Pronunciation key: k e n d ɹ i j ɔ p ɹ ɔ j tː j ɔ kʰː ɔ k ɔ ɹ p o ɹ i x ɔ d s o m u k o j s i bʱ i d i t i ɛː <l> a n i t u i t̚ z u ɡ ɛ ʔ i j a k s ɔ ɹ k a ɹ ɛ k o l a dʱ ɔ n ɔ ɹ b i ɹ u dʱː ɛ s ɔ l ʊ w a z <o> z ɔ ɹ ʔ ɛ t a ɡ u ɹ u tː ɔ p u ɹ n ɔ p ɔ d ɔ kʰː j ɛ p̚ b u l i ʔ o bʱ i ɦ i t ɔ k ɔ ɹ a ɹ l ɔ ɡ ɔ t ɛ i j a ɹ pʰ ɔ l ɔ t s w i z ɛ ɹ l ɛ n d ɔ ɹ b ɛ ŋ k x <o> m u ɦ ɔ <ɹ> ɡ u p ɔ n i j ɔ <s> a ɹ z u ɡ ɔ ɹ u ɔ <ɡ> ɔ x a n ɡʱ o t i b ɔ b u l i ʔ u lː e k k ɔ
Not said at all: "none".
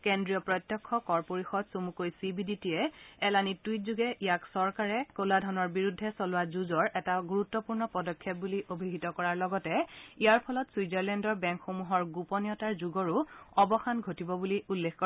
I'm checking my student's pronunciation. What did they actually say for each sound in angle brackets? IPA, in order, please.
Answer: l, u, o, ɹ, t, b

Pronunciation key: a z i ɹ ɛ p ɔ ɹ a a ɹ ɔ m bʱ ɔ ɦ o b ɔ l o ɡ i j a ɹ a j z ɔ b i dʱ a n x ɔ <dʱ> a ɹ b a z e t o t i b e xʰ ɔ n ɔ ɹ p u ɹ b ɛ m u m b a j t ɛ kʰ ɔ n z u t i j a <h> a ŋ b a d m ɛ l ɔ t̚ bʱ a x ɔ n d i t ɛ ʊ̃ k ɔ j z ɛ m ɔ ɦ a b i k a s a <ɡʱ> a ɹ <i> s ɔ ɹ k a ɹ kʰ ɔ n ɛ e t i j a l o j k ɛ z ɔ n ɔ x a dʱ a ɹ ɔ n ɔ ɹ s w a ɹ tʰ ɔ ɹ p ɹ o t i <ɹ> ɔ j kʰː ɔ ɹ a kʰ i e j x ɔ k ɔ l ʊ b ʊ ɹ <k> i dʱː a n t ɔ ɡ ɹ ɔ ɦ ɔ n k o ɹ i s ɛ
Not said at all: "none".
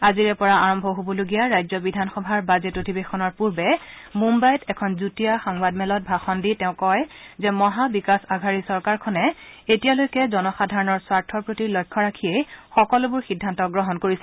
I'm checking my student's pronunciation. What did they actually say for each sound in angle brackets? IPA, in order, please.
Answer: bʱ, x, ɡʱ, i, l, x

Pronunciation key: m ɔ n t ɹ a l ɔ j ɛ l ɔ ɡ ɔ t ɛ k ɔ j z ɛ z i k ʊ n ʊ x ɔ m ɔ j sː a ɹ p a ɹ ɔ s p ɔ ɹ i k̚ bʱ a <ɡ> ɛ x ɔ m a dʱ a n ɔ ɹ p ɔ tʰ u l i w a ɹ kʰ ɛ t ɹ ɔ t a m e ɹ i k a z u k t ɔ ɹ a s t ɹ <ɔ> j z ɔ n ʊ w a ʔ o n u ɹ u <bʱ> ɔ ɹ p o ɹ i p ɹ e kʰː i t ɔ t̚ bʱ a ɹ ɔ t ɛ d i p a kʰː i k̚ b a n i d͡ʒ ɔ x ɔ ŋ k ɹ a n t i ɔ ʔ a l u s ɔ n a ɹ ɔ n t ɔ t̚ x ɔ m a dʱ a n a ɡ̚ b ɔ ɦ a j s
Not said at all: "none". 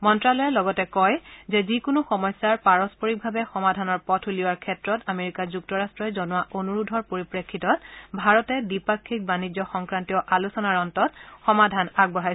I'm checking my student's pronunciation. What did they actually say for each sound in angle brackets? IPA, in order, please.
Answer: b, ɔ, dʱ

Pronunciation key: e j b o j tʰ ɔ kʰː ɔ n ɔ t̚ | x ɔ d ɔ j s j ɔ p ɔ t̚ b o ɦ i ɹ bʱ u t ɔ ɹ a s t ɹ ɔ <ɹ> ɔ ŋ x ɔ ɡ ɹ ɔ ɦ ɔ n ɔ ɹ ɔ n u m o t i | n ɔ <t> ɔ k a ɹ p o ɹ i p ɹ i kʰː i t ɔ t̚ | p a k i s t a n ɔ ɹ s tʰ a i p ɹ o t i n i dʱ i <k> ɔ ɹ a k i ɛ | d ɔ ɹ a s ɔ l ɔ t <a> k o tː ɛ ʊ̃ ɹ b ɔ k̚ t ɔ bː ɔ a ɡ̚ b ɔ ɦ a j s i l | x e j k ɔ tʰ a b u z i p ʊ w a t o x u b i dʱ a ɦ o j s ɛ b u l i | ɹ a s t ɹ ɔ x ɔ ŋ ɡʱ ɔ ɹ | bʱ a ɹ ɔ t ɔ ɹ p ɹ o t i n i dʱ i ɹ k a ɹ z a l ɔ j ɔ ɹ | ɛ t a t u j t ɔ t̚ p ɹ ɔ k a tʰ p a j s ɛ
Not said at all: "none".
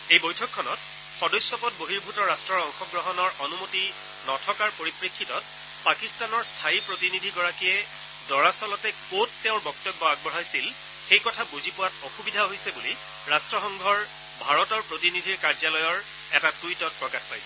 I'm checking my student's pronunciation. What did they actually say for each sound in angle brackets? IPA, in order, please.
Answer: ɹ, tʰ, ɡ, ɛ

